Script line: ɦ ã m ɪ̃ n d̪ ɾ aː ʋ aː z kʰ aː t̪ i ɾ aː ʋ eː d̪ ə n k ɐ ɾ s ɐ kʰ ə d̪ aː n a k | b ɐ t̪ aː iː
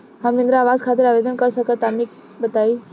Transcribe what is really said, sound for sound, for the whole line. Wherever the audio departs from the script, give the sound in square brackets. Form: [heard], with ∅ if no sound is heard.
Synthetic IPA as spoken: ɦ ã m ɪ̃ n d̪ ɾ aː ʋ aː z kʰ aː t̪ [ɪ] ɾ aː ʋ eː d̪ ə n k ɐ ɾ s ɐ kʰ ə [t̪] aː n [i] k | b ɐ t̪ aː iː